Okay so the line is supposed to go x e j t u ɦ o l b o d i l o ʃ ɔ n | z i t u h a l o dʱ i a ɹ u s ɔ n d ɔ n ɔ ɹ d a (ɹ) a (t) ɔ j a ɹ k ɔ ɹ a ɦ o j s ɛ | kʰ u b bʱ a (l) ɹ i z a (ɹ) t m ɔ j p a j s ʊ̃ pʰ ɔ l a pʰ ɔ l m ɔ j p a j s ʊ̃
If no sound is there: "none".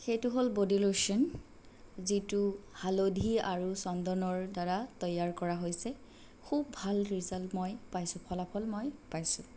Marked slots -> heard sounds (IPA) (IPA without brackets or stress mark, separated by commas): ɹ, t, l, l